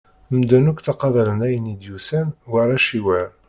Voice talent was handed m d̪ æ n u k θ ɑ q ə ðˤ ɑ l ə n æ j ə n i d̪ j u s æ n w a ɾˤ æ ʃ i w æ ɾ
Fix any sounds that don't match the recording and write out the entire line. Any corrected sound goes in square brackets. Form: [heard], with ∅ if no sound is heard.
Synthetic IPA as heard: m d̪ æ n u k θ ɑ q [ɑ] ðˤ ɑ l ə n æ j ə n i d̪ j u s æ n w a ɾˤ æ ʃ i w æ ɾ